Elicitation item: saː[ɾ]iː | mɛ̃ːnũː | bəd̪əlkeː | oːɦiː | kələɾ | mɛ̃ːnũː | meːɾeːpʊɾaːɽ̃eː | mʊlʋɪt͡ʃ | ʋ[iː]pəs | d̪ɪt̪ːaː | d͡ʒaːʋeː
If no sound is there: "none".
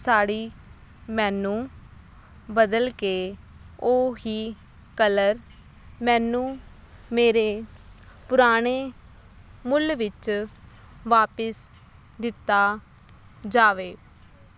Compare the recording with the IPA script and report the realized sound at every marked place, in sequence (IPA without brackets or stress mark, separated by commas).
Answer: ɽ, aː